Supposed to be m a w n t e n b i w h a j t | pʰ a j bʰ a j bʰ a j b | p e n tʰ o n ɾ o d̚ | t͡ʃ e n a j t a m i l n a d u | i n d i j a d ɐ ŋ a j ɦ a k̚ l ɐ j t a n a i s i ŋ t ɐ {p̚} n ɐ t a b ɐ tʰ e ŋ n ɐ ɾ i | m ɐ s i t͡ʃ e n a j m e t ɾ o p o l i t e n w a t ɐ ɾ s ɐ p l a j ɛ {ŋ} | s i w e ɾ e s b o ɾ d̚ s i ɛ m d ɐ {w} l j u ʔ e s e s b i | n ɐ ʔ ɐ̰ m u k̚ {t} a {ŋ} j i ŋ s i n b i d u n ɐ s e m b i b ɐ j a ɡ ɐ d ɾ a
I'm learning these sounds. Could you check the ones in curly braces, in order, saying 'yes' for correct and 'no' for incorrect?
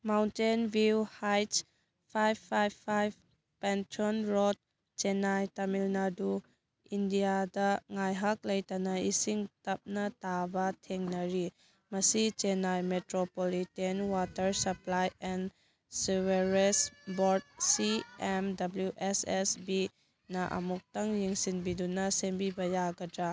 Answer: yes, no, no, yes, yes

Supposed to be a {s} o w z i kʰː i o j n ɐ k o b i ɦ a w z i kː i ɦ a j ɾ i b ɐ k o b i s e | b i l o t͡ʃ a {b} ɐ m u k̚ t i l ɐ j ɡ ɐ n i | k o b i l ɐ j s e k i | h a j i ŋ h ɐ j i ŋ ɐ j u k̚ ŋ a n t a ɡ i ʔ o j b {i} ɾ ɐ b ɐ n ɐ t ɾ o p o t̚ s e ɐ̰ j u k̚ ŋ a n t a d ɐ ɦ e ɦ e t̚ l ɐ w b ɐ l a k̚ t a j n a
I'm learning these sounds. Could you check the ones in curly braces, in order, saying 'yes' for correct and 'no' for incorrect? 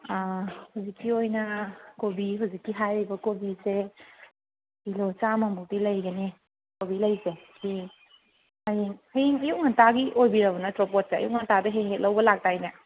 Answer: no, no, yes

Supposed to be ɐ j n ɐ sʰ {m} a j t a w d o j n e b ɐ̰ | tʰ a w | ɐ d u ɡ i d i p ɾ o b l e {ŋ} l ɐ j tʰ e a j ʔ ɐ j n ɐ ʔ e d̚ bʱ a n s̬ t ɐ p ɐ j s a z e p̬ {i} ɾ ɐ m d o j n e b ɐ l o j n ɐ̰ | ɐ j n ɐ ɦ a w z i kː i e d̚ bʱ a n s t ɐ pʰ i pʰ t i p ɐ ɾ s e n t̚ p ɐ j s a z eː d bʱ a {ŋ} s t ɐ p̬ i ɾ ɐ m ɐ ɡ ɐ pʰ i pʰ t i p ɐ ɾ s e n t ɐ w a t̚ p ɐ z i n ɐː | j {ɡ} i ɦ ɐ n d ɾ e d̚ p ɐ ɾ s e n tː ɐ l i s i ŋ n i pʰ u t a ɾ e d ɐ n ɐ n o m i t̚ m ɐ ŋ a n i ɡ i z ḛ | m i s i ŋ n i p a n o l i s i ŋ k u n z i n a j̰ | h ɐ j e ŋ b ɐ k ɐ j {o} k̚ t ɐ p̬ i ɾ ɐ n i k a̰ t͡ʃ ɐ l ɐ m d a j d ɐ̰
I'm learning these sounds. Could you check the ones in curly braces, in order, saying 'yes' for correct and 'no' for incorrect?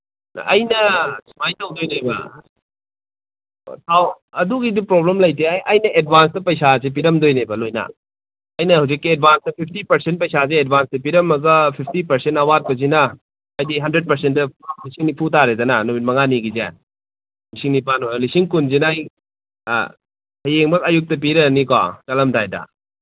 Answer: yes, no, yes, no, no, no

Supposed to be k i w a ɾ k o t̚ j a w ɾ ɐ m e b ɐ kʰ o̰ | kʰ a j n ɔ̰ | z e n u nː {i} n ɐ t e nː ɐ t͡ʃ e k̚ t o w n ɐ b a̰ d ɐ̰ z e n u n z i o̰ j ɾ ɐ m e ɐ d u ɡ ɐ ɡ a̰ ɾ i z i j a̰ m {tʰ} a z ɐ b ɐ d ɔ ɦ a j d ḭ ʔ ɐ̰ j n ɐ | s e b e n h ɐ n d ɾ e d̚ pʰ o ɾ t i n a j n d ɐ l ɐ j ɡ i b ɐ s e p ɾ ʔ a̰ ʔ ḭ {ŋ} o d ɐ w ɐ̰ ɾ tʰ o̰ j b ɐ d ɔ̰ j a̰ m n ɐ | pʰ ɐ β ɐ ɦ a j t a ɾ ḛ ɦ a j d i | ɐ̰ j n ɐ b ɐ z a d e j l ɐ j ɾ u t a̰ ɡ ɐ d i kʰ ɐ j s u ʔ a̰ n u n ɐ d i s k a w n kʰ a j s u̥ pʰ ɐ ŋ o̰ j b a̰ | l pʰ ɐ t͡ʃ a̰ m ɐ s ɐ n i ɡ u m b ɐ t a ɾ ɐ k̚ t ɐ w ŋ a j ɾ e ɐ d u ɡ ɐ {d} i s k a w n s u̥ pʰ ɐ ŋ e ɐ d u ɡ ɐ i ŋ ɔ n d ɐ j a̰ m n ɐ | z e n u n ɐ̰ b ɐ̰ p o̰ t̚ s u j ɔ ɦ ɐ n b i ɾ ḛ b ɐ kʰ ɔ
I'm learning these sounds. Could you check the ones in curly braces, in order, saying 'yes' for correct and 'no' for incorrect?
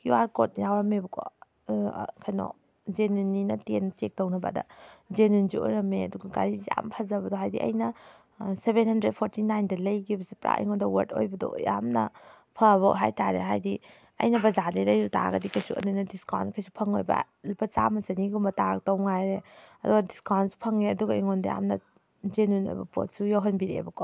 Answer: yes, no, yes, yes

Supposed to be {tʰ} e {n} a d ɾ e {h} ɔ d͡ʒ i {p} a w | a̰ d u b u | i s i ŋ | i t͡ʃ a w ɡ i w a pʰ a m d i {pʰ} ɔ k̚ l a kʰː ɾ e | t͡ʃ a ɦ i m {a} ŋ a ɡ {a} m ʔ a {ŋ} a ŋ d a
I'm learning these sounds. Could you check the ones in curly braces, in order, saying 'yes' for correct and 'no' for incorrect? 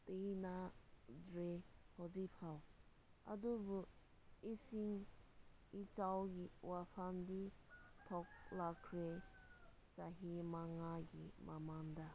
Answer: no, yes, yes, no, no, yes, no, no

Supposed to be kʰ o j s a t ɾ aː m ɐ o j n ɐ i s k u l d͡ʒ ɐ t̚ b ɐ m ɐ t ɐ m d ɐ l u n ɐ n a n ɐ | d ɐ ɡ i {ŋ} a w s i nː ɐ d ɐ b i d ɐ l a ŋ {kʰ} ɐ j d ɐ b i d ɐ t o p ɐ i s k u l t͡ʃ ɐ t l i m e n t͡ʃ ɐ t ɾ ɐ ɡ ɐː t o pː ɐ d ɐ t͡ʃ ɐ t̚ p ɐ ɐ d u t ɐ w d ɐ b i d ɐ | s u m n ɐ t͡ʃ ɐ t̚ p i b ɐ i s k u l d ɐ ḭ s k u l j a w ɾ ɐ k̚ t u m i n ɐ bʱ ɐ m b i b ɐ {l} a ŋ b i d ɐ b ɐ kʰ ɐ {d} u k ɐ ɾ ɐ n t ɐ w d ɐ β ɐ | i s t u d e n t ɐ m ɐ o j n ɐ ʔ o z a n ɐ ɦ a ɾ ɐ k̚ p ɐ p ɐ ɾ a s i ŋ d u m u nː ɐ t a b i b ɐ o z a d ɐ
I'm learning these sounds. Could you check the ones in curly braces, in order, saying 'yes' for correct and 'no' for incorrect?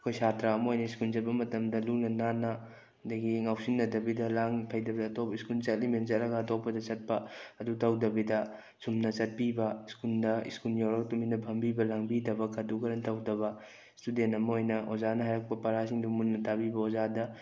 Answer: yes, no, yes, yes

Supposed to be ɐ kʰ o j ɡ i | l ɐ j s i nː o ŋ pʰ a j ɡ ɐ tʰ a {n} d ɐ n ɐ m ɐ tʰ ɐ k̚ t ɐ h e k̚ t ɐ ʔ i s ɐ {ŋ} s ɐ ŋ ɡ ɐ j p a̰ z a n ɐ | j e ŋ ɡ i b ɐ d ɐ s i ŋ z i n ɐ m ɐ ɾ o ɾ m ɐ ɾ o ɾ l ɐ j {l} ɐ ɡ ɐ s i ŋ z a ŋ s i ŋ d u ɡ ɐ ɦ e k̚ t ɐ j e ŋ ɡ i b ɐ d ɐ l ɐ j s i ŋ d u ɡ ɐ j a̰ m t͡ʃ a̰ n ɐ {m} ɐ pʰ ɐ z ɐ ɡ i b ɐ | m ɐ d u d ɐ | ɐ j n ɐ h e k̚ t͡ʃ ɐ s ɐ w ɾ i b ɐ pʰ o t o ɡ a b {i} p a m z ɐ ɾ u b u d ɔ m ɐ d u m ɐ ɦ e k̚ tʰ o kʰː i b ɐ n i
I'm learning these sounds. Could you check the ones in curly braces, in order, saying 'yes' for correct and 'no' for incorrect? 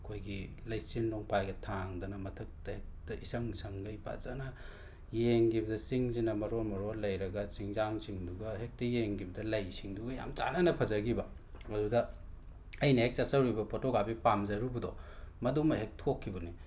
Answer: no, yes, no, no, yes

